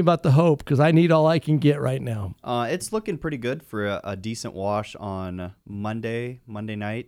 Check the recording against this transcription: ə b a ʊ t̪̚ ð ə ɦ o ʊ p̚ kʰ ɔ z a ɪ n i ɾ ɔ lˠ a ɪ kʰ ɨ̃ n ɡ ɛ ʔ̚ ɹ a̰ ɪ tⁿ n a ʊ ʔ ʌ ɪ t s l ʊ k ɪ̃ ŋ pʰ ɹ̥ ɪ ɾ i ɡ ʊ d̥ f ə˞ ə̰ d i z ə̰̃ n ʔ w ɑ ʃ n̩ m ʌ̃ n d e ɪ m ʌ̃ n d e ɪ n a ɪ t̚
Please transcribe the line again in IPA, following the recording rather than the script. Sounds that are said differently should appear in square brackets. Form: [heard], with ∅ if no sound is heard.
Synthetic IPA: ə b a ʊ t̪̚ ð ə ɦ o ʊ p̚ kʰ [ʌ] z a ɪ n i ɾ ɔ lˠ a ɪ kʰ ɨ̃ n ɡ ɛ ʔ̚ ɹ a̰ ɪ tⁿ n a ʊ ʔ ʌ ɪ t s l ʊ k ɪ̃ ŋ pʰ ɹ̥ ɪ ɾ i ɡ ʊ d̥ f ə˞ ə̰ d i [s] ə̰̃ n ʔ w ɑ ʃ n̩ m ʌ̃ n d e ɪ m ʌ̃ n d e ɪ n a ɪ t̚